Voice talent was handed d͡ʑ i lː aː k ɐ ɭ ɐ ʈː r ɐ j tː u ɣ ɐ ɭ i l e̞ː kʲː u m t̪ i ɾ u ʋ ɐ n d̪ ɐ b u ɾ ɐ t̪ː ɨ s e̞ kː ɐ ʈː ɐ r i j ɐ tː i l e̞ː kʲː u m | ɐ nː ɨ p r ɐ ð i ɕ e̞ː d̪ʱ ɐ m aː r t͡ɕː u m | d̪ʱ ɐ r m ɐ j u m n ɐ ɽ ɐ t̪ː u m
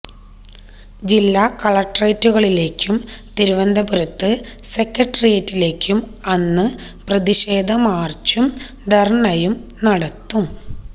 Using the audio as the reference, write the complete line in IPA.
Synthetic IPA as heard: d͡ʑ i lː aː k ɐ ɭ ɐ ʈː r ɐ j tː u ɣ ɐ ɭ i l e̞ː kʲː u m t̪ i ɾ u ʋ ɐ n d̪ ɐ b u ɾ ɐ t̪ː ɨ s e̞ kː ɐ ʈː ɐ r i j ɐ tː i l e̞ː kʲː u m | ɐ nː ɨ p r ɐ ð i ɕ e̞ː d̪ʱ ɐ m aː r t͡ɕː u m | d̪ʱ ɐ r ɳ ɐ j u m n ɐ ɽ ɐ t̪ː u m